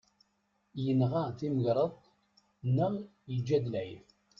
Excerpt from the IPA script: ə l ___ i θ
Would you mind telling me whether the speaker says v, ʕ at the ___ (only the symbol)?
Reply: ʕ